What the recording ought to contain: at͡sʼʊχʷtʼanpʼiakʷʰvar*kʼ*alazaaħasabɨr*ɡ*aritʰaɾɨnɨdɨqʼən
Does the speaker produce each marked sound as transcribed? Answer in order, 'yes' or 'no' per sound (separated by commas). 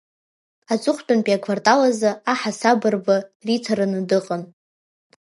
no, no